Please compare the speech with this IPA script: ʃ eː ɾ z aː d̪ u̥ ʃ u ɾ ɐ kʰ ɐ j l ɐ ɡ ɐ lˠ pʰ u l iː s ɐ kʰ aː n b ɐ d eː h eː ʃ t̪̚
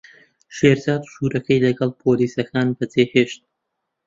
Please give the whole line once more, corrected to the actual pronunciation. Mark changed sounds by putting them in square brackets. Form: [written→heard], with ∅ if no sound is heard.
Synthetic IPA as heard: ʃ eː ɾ z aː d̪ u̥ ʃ u ɾ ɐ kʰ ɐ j l ɐ ɡ ɐ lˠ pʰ [u→o] l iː s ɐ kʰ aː n b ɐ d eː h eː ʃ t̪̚